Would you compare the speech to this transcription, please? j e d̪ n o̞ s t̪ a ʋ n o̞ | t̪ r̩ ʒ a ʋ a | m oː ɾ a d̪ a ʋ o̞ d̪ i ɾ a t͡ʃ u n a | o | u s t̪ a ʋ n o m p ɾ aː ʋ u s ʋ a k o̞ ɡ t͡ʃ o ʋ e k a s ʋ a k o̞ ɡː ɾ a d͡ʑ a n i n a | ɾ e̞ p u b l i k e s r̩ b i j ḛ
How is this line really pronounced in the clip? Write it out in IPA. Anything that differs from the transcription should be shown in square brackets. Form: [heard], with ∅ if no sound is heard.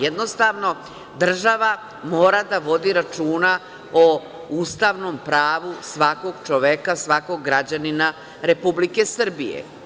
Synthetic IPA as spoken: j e d̪ n o̞ s t̪ a ʋ n o̞ | [d̪] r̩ ʒ a ʋ a | m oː ɾ a d̪ a ʋ o̞ d̪ i ɾ a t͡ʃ [uː] n a | o | u s t̪ a ʋ n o m p ɾ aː ʋ u s ʋ a k o̞ ɡ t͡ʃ o ʋ e k a s ʋ a k o̞ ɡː ɾ a d͡ʑ a n i n a | ɾ e̞ p u b l i k e s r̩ b i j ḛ

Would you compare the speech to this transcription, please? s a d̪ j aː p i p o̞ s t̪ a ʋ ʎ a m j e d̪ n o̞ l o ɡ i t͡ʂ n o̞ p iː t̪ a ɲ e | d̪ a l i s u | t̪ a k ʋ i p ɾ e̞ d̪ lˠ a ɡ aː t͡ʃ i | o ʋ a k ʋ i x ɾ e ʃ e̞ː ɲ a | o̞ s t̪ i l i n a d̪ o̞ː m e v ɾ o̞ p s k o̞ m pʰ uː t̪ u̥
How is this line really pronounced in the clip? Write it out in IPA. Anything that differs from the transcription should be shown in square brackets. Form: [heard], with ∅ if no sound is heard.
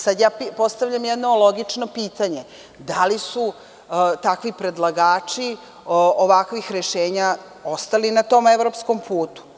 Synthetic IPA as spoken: s a d̪ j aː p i p o̞ s t̪ a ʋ ʎ a m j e d̪ n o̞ l o ɡ i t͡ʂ n o̞ p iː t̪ a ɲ e | d̪ a l i s u | t̪ a k ʋ i p ɾ e̞ d̪ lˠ a ɡ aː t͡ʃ i | o ʋ a k ʋ i x ɾ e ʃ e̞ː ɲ a | o̞ s t̪ [a] l i n a [t̪] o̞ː m e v ɾ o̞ p s k o̞ m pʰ uː t̪ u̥

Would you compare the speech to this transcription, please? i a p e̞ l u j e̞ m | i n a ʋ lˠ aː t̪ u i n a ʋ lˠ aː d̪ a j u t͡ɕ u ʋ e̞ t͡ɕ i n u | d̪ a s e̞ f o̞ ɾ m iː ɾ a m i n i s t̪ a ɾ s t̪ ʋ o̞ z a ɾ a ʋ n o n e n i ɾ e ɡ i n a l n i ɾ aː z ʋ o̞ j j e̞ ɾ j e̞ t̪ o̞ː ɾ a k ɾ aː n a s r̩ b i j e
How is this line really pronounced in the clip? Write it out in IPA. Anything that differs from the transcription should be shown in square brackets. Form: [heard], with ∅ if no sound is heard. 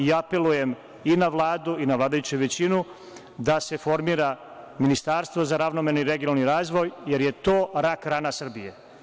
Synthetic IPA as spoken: i a p e̞ l u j e̞ m | i n a ʋ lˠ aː [d̪] u i n a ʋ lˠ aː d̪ a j u t͡ɕ u ʋ e̞ t͡ɕ i n u | d̪ a s e̞ f o̞ ɾ m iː ɾ a m i n i s t̪ a ɾ s t̪ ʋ o̞ z a ɾ a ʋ n o [m] e n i ɾ e ɡ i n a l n i ɾ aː z ʋ o̞ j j e̞ ɾ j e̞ t̪ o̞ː ɾ a k ɾ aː n a s r̩ b i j e

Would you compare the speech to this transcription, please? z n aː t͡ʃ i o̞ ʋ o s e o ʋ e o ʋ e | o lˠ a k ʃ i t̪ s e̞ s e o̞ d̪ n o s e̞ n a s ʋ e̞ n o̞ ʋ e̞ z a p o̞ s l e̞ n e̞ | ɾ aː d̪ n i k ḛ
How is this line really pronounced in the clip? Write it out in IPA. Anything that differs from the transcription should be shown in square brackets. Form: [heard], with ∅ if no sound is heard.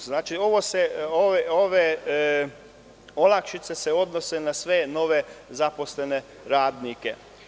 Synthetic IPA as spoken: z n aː t͡ʃ i o̞ ʋ o s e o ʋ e o ʋ e | o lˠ a k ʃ i t̪ s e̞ s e o̞ d̪ n o s e̞ n a s ʋ e̞ n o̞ ʋ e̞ z a p o̞ s l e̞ n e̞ | ɾ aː d̪ n i k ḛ

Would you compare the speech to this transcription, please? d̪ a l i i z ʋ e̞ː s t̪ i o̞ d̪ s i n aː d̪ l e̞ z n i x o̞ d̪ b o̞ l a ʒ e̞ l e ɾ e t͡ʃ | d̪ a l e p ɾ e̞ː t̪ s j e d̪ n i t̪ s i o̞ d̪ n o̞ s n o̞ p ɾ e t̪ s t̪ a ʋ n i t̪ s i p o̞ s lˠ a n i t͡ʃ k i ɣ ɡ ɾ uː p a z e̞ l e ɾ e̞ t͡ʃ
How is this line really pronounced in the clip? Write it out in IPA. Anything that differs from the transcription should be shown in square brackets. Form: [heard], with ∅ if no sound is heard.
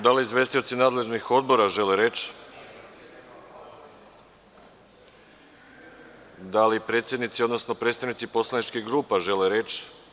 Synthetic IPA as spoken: d̪ a l i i z ʋ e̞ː s t̪ i o̞ [t̪] s i n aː d̪ l e̞ [ʒ] n i x o̞ d̪ b o̞ [ɾ] a ʒ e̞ l e ɾ e t͡ʃ | d̪ a l [i] p ɾ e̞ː t̪ s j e d̪ n i t̪ s i o̞ d̪ n o̞ s n o̞ p ɾ e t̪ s t̪ a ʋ n i t̪ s i p o̞ s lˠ a n i t͡ʃ k i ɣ ɡ ɾ uː p a [ʒ] e̞ l e ɾ e̞ t͡ʃ

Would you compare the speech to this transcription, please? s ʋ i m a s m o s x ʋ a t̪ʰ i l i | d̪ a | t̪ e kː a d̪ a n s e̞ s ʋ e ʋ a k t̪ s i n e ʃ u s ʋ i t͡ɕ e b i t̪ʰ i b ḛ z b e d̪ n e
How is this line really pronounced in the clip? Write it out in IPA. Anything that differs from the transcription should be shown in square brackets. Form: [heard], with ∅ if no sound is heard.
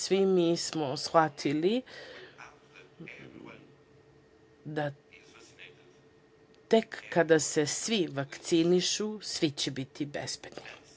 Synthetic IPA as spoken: s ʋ i m [i] s m o s x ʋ a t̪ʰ i l i | d̪ a | t̪ e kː a d̪ a [∅] s e̞ s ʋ [i] ʋ a k t̪ s i n [i] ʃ u s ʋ i t͡ɕ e b i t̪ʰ i b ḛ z b e d̪ n [i]

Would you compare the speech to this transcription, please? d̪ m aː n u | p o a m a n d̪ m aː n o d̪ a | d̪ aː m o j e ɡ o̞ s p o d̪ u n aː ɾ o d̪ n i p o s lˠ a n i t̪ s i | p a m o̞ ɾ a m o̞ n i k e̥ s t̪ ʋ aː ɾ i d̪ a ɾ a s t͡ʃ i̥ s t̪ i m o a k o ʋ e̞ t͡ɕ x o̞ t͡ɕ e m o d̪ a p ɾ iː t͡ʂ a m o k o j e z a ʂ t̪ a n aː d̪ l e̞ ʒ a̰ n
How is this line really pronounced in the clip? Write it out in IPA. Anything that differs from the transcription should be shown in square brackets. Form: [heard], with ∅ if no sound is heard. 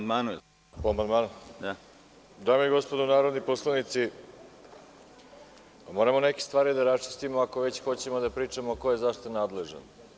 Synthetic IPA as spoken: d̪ m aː n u | p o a m a n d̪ m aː n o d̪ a | d̪ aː m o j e ɡ o̞ s p o d̪ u n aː ɾ o d̪ n i p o s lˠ a n i t̪ s i | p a m o̞ ɾ a m o̞ n [e] k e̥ s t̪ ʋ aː ɾ i d̪ a ɾ a s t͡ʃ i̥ s t̪ i m o a k o ʋ e̞ t͡ɕ x o̞ t͡ɕ e m o d̪ a p ɾ iː t͡ʂ a m o k o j e z a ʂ t̪ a n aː d̪ l e̞ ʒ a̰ n

